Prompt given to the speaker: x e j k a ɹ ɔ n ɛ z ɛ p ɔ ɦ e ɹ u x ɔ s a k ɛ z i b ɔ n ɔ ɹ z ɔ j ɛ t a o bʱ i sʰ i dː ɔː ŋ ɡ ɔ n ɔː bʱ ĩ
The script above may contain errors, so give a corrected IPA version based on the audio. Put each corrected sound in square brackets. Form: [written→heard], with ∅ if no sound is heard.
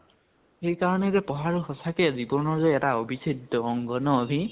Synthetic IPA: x e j k a ɹ ɔ n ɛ z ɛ p ɔ ɦ [e→a] ɹ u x ɔ s a k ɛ z i b ɔ n ɔ ɹ z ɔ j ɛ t a o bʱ i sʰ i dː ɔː ŋ ɡ ɔ n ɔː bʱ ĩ